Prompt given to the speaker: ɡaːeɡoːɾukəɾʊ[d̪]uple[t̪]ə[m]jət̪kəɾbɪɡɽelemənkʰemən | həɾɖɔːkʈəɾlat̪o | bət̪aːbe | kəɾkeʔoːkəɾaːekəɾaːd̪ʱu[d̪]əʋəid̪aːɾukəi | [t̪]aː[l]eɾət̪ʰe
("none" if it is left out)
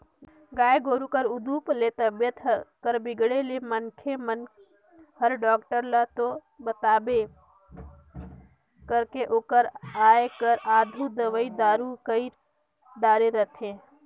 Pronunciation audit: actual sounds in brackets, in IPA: d̪, t̪, b, d̪, d̪, ɾ

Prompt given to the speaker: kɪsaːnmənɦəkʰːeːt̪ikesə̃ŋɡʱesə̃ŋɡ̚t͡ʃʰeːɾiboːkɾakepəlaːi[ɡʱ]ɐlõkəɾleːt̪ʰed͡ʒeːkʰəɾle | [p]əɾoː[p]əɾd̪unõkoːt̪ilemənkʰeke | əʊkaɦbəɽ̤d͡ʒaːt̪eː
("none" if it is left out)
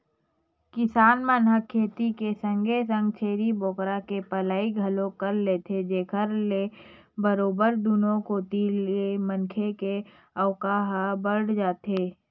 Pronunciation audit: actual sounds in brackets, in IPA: ɡʱ, b, b

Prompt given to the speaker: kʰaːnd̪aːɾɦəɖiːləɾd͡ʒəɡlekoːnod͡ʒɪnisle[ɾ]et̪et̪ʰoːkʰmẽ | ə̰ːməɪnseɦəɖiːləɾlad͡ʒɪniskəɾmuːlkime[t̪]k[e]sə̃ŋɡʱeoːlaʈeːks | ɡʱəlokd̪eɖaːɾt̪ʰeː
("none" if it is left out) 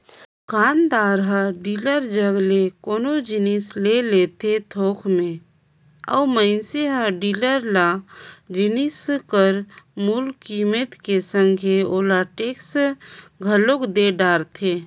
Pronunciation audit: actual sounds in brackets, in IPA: l, t̪, e

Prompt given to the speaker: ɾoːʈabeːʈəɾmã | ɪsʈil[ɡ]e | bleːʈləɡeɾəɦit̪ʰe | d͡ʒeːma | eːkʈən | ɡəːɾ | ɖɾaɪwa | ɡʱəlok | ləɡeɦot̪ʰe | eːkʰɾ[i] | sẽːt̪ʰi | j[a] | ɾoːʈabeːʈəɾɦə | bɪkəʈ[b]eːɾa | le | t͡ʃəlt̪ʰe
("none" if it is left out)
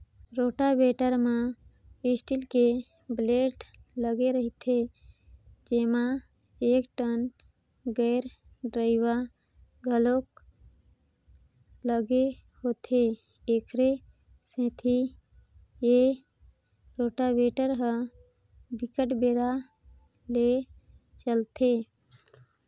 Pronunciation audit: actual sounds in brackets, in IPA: k, e, e, b

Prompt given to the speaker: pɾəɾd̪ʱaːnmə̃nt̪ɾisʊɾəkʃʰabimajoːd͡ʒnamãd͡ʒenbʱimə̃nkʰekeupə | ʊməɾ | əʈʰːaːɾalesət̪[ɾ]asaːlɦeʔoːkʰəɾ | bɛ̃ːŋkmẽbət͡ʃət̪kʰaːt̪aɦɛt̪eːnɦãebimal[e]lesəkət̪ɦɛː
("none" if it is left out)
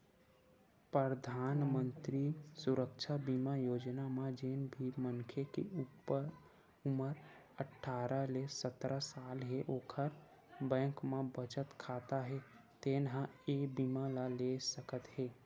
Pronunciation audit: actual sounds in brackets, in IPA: ɾ, a

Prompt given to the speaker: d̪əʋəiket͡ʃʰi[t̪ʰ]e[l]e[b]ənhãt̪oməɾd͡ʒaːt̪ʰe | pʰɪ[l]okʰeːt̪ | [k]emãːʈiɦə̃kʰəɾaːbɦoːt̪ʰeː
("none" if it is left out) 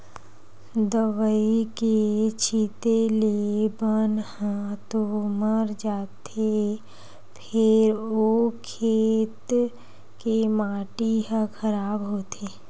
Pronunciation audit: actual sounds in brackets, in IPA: t̪, l, b, ɾ, k

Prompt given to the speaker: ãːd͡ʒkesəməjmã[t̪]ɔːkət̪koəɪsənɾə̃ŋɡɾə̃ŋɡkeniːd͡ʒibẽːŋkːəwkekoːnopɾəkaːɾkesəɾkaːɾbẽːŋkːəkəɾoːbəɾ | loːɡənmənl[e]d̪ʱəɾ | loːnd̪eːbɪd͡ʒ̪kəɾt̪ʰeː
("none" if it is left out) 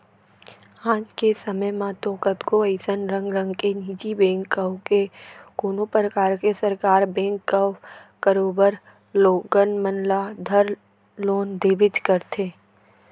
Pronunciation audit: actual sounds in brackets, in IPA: t̪, a

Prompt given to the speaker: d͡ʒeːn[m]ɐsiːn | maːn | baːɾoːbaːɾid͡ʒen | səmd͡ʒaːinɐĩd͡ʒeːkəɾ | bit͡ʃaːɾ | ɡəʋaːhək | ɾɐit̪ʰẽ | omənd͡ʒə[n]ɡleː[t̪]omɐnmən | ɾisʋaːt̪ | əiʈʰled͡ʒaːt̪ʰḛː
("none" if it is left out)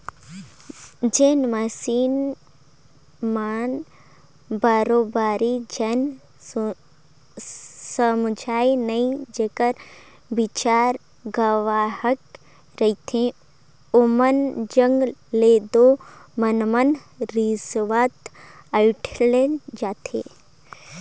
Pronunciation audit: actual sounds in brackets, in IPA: m, ŋ, d̪

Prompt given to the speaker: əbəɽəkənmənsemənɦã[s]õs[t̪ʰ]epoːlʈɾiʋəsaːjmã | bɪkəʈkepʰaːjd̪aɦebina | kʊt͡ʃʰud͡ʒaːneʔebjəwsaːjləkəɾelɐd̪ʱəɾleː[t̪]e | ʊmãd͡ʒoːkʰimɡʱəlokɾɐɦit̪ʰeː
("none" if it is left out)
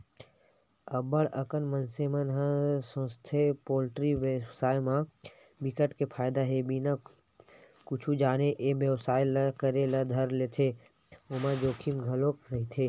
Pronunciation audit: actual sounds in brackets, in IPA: s, t̪ʰ, t̪ʰ

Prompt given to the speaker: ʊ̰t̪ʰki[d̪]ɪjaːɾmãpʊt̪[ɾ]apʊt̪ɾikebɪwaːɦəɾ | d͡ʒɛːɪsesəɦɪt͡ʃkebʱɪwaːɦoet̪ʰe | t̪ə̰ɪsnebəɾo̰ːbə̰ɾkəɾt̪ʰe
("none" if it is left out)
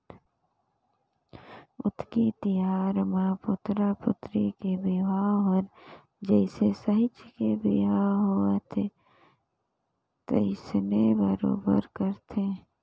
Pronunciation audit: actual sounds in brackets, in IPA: t̪, ɾ

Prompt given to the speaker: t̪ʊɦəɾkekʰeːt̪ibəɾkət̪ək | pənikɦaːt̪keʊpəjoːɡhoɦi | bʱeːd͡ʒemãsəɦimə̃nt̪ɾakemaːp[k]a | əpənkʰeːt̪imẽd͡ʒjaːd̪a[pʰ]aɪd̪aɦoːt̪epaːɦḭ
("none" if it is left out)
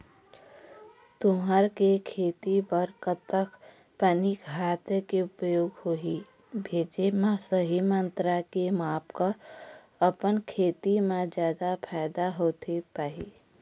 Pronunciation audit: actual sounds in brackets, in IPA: k, pʰ

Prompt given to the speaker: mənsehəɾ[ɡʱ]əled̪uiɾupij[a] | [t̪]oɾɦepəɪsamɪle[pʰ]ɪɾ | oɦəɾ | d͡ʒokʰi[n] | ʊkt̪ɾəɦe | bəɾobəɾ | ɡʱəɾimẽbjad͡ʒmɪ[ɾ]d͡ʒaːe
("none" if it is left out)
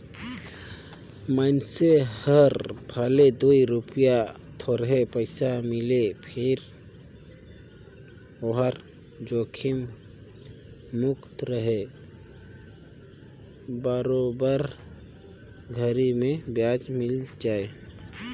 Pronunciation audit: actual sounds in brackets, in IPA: bʱ, a, t̪ʰ, pʰ, m, l

